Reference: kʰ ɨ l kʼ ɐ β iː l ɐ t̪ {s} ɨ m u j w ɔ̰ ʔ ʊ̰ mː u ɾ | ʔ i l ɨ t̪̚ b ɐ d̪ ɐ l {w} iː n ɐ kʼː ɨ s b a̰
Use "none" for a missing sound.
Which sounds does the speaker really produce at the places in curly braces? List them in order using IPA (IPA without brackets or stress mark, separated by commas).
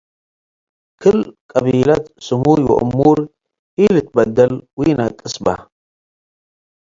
s, w